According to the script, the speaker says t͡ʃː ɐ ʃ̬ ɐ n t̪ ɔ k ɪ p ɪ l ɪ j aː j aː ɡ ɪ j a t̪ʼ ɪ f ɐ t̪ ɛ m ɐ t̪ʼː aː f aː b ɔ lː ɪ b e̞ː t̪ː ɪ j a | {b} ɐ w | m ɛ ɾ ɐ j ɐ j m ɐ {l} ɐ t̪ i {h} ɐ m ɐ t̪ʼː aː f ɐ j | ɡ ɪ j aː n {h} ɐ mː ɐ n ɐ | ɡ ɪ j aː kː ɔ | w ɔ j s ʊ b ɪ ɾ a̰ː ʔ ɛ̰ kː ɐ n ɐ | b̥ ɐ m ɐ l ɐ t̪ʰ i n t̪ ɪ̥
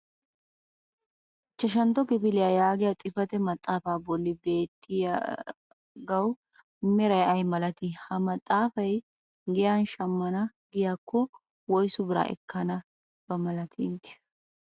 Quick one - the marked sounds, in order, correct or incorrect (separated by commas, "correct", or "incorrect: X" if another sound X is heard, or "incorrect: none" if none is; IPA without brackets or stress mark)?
incorrect: ɡ, correct, correct, incorrect: ʃ